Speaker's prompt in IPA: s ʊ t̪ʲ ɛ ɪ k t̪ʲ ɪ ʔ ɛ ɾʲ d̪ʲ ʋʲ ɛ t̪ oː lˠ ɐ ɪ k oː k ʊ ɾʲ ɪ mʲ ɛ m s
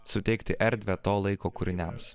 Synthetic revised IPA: s ʊ t̪ʲ ɛ ɪ k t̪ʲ ɪ ʔ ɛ ɾʲ d̪ʲ ʋʲ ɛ t̪ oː lˠ ɐ ɪ k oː k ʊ ɾʲ ɪ nʲ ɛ m s